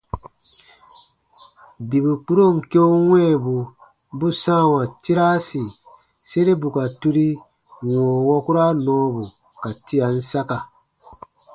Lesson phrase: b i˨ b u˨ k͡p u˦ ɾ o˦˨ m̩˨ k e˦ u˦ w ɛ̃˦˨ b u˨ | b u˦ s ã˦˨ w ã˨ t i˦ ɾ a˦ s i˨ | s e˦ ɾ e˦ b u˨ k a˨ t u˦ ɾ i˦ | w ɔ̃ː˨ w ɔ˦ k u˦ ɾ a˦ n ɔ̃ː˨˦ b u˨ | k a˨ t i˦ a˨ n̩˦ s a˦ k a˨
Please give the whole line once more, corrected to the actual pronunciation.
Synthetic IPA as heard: b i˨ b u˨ k͡p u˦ ɾ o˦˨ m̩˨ k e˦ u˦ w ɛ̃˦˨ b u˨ | b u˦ s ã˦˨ w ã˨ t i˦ ɾ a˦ s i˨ | s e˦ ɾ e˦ b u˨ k a˨ t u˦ ɾ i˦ | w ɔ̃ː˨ w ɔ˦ k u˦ ɾ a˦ n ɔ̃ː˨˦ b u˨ | k a˨ t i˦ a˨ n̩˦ s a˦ k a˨